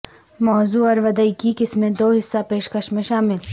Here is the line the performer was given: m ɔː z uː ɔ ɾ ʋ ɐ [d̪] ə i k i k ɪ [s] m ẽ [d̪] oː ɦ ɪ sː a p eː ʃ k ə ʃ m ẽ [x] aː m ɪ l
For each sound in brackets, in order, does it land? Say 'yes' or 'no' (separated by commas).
yes, yes, yes, no